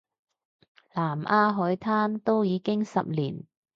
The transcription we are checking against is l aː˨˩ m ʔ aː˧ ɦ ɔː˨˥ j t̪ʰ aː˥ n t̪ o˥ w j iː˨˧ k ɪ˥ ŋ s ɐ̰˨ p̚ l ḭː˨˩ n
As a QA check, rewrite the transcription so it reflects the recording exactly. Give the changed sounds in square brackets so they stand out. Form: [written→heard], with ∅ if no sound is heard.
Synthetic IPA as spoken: l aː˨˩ m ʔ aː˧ ɦ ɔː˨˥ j t̪ʰ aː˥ n t̪ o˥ w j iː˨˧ k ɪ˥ ŋ s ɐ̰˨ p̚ l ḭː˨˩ n